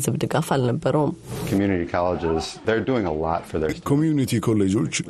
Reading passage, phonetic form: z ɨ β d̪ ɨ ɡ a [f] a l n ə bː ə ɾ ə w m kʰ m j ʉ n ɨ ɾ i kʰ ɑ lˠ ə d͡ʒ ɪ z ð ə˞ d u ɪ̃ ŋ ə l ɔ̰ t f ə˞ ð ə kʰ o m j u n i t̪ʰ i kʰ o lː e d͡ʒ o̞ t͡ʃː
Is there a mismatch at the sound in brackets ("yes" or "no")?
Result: no